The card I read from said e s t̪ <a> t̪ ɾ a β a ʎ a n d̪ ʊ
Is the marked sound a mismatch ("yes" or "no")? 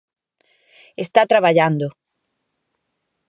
no